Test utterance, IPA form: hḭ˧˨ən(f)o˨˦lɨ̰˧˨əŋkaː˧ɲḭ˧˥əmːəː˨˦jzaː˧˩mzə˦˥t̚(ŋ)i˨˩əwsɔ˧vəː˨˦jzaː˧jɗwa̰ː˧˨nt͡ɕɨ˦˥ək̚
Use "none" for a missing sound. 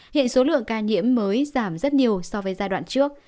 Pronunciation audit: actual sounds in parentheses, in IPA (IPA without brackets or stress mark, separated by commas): s, ɲ